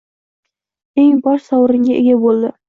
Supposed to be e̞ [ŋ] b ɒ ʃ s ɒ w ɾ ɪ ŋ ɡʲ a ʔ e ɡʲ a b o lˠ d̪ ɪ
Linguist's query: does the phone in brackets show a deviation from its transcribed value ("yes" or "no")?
no